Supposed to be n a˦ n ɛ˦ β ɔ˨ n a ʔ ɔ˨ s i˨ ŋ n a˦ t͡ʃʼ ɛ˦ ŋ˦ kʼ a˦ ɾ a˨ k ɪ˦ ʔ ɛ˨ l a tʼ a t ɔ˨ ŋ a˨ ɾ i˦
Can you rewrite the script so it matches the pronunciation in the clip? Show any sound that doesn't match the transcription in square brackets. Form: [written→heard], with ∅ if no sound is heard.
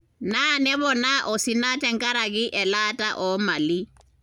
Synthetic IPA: n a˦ n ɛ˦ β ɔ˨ n a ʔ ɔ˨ s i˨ [ŋ→∅] n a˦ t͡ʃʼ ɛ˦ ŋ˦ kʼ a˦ ɾ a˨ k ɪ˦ ʔ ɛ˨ l a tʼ a [t→ʔ] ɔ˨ [ŋ→m] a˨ [ɾ→l] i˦